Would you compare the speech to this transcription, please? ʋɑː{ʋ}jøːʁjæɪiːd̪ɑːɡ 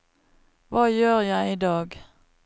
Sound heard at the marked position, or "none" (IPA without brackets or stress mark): none